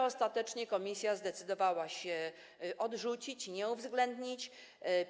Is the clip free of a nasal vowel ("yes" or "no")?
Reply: yes